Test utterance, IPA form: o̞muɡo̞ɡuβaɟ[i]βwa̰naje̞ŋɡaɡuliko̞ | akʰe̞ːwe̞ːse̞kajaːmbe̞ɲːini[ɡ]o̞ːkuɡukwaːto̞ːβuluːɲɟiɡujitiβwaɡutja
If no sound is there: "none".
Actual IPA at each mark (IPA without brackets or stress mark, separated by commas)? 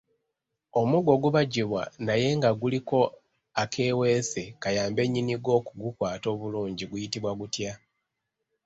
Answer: i, ɡ